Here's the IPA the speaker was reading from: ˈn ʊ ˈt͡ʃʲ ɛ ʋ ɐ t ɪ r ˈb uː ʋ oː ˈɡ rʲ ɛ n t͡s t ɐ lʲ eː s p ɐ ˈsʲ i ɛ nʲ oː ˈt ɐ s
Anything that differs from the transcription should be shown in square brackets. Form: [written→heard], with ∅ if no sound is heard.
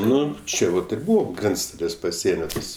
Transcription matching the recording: ˈn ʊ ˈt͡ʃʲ ɛ ʋ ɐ t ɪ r ˈb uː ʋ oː ˈɡ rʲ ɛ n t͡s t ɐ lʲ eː s p ɐ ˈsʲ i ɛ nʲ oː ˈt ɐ s